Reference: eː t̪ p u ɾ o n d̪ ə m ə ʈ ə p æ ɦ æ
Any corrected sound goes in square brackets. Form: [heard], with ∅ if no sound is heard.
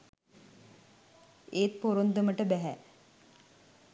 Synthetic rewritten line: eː t̪ p [o] ɾ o n d̪ ə m ə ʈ ə [b] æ ɦ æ